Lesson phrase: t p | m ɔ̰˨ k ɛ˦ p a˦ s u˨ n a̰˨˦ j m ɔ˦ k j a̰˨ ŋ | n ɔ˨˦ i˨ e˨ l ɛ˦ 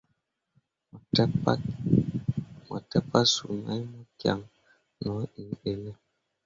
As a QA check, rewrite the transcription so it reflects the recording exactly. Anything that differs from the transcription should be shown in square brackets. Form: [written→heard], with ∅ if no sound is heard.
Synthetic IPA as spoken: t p | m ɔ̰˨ [k→t] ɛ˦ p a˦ s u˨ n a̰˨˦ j m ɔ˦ k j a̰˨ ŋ | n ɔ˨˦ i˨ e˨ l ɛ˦